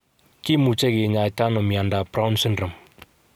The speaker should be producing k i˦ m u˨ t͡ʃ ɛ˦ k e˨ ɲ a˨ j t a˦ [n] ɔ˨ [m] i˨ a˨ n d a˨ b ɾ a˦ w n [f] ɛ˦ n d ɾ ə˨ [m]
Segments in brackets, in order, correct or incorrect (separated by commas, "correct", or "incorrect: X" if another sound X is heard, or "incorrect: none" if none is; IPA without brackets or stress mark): correct, correct, incorrect: s, correct